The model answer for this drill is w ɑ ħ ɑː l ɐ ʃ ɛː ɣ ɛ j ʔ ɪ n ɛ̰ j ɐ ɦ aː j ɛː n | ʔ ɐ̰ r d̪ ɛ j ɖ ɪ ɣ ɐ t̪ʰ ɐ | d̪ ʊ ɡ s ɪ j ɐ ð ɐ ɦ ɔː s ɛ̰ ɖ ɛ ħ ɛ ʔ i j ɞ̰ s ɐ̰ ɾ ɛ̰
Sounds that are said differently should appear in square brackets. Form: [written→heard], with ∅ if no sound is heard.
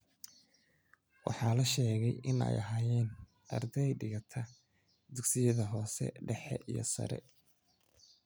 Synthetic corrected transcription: w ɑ ħ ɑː l ɐ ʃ ɛː ɣ ɛ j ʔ ɪ n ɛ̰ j ɐ ɦ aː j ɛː n | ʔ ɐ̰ r d̪ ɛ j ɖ ɪ ɣ ɐ t̪ʰ ɐ | d̪ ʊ ɡ s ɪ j ɐ ð ɐ ɦ ɔː s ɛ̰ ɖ ɛ ħ ɛ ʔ i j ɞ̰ s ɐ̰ ɾ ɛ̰